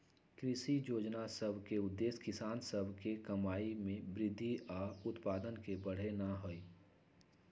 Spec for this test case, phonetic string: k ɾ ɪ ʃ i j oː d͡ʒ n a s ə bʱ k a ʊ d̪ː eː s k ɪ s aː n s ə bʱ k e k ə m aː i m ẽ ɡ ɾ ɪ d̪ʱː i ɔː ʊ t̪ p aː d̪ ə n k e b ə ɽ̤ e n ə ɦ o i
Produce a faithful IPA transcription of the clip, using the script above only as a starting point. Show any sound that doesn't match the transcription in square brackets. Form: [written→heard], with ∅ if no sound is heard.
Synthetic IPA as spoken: k ɾ ɪ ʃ i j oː d͡ʒ n a s ə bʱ k [a→e] ʊ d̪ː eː s k ɪ s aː n s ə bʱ k e k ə m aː i m ẽ [ɡ→b] ɾ ɪ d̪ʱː i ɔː ʊ t̪ p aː d̪ ə n k e b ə ɽ̤ e n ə ɦ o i